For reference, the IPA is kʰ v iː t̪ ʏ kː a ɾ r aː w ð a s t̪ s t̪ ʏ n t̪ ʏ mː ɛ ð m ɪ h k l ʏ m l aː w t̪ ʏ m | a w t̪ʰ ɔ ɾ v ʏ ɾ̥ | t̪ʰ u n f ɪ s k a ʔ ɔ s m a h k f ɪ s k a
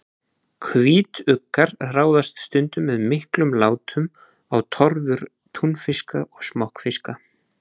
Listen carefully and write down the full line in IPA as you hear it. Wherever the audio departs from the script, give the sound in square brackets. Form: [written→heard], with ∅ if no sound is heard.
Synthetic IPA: kʰ v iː t̪ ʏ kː a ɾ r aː w ð a s t̪ s t̪ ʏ n t̪ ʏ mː ɛ ð m ɪ h k l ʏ m l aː w t̪ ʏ m | a w t̪ʰ ɔ ɾ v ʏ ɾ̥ | t̪ʰ u n f ɪ s k a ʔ ɔ s m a h k f ɪ s k a

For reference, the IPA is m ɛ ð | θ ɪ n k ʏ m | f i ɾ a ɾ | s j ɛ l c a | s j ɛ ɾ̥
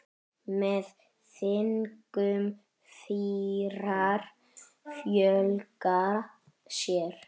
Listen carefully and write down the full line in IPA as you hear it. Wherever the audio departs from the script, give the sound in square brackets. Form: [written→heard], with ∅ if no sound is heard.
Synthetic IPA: m ɛ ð | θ ɪ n k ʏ m | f i ɾ a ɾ | [s→f] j [ɛ→œ] l [c→k] a | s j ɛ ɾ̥

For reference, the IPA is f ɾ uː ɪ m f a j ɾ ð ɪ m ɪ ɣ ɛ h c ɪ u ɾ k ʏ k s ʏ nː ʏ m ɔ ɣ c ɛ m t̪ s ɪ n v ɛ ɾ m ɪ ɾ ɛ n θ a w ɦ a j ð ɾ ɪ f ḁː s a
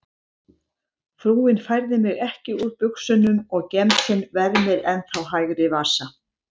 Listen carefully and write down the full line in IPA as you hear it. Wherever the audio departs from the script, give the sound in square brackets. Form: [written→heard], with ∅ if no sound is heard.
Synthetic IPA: f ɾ uː ɪ [m→n] f a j ɾ ð ɪ m ɪ ɣ ɛ h c ɪ u ɾ [k→p] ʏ k s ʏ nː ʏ m ɔ ɣ c ɛ m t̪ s ɪ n v ɛ ɾ m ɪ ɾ ɛ n θ a w ɦ a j [ð→ɣ] ɾ ɪ [f→v] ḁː s a

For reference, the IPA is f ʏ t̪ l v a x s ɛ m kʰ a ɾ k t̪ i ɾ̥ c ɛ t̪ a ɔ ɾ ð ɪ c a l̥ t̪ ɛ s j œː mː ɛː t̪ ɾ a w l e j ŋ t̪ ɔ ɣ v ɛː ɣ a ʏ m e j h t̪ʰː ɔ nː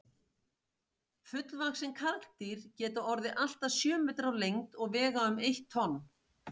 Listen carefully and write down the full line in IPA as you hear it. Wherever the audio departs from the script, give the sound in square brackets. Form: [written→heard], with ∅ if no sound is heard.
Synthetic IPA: f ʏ t̪ l v a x s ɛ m kʰ a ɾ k t̪ i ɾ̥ c [ɛ→ɛː] t̪ a ɔ ɾ ð ɪ [c→ʔ] a l̥ t̪ [ɛ→a] s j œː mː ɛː t̪ ɾ a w l e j ŋ t̪ ɔ ɣ v ɛː ɣ a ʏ m e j h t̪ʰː ɔ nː

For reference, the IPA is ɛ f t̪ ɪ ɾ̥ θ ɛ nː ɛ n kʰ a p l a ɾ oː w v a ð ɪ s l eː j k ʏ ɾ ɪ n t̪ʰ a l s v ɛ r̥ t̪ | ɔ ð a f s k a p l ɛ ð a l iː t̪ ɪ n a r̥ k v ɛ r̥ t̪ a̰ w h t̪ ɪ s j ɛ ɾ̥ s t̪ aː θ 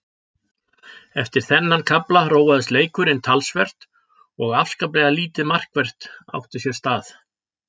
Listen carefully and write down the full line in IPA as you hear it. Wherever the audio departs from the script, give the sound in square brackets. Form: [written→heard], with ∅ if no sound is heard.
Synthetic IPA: ɛ f t̪ ɪ ɾ̥ θ ɛ nː [ɛ→a] n kʰ a p l a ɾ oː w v a ð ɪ s l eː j k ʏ ɾ ɪ n t̪ʰ a l s v ɛ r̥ t̪ | ɔ [ð→ɣ] a f s k a p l ɛ [ð→ɣ] a l iː t̪ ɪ [n→m] a r̥ k v ɛ r̥ t̪ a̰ w h t̪ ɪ s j ɛ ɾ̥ s t̪ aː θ

